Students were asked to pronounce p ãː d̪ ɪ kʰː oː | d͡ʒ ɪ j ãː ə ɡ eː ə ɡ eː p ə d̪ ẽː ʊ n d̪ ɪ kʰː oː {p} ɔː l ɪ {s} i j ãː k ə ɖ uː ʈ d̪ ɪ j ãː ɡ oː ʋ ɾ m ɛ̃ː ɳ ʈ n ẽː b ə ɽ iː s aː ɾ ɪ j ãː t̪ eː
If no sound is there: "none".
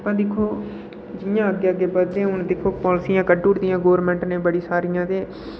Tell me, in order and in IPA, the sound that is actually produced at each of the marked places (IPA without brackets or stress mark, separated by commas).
p, s